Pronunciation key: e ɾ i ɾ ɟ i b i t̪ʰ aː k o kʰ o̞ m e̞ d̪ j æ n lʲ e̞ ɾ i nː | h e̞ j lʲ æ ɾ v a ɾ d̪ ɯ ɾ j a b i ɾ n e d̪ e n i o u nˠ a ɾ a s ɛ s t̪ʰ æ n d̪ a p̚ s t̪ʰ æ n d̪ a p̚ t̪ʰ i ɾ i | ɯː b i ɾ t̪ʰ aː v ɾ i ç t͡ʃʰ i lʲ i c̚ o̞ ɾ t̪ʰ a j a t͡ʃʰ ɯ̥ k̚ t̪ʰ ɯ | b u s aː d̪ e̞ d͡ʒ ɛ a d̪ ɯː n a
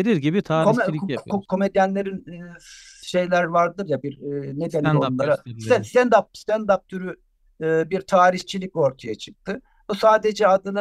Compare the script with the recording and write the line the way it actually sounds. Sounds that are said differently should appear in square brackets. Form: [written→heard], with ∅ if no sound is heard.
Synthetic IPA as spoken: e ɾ i ɾ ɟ i b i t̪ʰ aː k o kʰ o̞ m e̞ d̪ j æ n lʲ e̞ ɾ i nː | [h→ʃ] e̞ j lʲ æ ɾ v a ɾ d̪ ɯ ɾ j a b i ɾ n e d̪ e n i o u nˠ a ɾ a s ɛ s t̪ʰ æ n d̪ a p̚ s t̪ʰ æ n d̪ a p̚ t̪ʰ [i→y] ɾ [i→y] | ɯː b i ɾ t̪ʰ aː [v→∅] ɾ i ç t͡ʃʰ i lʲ i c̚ o̞ ɾ t̪ʰ a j a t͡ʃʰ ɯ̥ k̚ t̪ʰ ɯ | b u s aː d̪ e̞ d͡ʒ ɛ a d̪ [ɯː→ɯ] n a